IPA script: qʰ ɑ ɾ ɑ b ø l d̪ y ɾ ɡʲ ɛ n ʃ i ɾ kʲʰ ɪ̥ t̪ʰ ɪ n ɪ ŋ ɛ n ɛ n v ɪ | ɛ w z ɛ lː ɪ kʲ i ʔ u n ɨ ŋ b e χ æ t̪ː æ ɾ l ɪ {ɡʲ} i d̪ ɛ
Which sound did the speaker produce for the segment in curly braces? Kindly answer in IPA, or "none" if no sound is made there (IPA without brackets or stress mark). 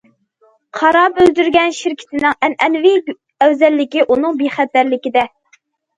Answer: kʲ